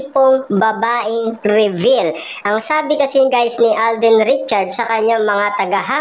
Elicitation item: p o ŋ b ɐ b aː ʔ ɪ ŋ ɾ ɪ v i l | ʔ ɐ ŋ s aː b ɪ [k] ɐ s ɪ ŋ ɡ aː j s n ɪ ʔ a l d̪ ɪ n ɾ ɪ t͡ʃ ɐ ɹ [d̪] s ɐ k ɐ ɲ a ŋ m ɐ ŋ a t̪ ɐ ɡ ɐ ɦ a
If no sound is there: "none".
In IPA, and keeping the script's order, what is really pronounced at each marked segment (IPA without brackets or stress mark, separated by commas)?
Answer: k, d̪